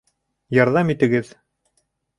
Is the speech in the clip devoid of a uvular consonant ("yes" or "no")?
yes